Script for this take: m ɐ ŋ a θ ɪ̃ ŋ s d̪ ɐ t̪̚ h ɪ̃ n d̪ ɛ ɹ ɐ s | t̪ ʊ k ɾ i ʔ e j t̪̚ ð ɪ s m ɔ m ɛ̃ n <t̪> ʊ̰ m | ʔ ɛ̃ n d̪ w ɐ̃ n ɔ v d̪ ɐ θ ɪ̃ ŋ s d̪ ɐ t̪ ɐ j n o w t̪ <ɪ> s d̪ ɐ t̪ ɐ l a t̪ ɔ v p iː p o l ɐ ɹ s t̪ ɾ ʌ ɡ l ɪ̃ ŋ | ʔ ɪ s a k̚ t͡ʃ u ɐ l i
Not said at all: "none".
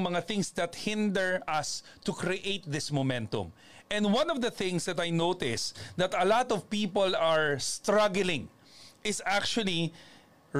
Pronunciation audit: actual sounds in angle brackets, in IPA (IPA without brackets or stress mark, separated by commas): t̪, ɪ